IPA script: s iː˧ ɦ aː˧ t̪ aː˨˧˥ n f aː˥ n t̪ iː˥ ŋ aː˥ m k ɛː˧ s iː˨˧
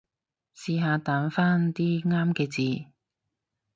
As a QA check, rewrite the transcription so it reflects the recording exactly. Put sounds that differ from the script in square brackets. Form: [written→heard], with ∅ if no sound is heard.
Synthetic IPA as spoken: s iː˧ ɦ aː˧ t̪ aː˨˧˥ n f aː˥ n t̪ iː˥ ŋ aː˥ m k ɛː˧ [s→t͡s] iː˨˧